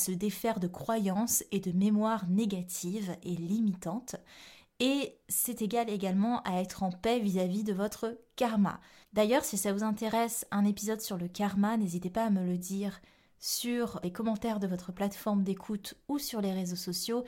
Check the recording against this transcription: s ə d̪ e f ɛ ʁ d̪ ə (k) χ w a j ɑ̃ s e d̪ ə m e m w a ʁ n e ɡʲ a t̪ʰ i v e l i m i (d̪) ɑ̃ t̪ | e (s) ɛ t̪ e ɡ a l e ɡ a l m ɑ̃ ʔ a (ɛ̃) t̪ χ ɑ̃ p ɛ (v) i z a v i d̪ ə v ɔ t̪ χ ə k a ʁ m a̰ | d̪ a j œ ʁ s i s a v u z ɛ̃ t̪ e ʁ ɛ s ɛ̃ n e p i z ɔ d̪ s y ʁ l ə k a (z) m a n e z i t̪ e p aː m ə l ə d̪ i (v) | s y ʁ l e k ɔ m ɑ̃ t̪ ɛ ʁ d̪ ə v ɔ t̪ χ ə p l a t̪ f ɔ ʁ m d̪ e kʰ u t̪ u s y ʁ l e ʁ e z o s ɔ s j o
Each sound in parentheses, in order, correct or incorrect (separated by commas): correct, incorrect, correct, incorrect, correct, incorrect, incorrect